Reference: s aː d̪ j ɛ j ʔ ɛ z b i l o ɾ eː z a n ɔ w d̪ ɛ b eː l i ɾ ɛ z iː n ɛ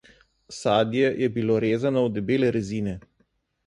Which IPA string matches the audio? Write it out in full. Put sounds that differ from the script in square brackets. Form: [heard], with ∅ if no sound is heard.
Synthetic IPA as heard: s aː d̪ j ɛ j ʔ ɛ [∅] b i l o ɾ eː z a n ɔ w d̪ ɛ b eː l [ɛ] ɾ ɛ z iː n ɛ